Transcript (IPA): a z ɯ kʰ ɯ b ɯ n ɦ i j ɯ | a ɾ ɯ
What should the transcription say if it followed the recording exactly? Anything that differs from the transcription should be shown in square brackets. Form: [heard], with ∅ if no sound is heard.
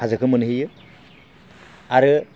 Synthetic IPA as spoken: a z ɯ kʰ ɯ [m] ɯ n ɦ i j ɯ | a ɾ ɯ